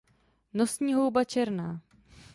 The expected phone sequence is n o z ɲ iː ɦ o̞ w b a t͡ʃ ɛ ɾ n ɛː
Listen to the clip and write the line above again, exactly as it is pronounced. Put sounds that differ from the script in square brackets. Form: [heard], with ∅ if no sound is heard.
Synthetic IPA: n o [s] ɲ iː ɦ o̞ w b a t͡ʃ ɛ ɾ n [aː]